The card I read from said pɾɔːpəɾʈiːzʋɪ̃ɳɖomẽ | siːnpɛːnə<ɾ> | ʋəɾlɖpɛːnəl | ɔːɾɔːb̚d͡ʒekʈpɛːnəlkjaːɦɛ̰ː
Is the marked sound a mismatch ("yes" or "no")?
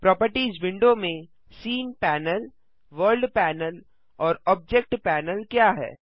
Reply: yes